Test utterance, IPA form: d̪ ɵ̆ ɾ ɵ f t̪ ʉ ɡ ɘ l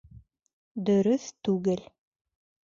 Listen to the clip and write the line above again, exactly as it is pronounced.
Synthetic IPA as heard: d̪ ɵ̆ ɾ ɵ θ t̪ ʉ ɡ ɘ l